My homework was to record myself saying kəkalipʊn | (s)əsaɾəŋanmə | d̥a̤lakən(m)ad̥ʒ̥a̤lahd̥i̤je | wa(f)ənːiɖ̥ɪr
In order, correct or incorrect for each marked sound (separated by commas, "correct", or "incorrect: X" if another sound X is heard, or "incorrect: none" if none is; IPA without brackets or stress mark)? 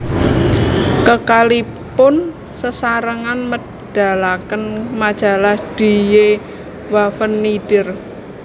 correct, correct, correct